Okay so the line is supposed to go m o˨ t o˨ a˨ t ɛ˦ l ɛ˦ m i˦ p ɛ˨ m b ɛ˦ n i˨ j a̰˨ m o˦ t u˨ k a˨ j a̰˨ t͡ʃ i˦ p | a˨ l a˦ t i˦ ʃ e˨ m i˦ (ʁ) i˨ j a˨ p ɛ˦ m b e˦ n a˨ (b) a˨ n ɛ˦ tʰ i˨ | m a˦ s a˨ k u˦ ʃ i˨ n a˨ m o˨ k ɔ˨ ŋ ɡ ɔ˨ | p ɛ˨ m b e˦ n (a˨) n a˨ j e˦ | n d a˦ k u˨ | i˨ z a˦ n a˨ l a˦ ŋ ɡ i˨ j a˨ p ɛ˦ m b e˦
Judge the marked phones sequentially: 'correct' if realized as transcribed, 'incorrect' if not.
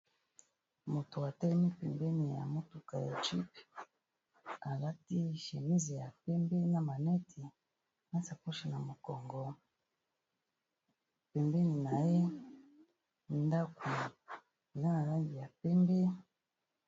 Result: incorrect: z, incorrect: m, incorrect: i˨

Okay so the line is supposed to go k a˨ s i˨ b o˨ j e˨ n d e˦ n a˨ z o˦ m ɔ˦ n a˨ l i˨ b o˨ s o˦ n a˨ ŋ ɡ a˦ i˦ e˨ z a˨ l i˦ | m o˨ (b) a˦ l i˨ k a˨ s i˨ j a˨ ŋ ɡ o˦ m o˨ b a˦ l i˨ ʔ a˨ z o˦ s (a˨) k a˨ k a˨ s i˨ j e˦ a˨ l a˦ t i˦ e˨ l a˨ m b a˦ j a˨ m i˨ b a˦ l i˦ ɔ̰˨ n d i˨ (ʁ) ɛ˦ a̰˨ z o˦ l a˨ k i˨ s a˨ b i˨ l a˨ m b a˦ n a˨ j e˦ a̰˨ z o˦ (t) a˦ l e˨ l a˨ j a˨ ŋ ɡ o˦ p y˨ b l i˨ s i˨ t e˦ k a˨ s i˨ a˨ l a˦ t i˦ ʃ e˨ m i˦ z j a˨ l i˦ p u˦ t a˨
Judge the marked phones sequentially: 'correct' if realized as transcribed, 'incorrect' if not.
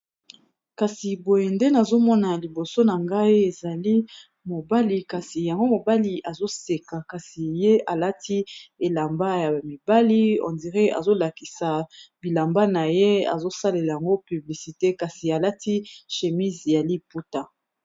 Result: correct, incorrect: e˨, correct, incorrect: s

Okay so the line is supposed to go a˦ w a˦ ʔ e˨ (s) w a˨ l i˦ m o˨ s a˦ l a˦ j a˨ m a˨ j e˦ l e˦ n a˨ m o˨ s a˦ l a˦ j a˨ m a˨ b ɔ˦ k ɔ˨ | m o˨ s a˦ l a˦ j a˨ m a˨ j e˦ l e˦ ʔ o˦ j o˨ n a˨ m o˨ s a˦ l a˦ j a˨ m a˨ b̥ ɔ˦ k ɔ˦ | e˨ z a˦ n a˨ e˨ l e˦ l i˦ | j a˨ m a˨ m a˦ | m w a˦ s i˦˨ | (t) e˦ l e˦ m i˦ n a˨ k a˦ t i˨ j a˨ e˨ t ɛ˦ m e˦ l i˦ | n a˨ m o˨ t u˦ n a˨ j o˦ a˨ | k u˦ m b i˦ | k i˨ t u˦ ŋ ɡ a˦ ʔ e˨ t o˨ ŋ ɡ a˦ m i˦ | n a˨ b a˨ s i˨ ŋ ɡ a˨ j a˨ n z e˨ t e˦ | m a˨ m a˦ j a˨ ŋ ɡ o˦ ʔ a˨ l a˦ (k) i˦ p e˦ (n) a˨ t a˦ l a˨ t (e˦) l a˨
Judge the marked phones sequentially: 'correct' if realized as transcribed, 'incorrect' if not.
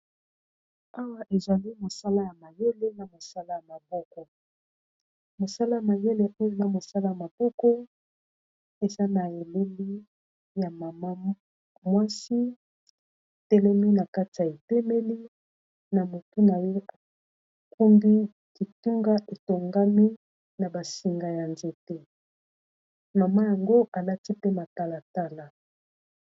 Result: incorrect: z, correct, incorrect: t, incorrect: m, incorrect: a˦

